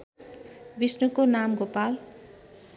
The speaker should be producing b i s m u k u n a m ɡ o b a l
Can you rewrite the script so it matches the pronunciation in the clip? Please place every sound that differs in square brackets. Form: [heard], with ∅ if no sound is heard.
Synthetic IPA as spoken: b i s [n] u k [o] n a m ɡ o [p] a l